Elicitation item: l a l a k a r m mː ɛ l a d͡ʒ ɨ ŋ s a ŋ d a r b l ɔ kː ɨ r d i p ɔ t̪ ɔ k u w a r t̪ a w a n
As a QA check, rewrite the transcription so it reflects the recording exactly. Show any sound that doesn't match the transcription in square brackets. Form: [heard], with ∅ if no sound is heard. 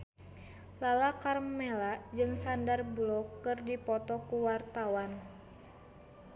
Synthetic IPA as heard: l a l a k a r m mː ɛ l a d͡ʒ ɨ ŋ s a [n] d a r b l ɔ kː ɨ r d i p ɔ t̪ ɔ k u w a r t̪ a w a n